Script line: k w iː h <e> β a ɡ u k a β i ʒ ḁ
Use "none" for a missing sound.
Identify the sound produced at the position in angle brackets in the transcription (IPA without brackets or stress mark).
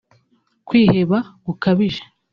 e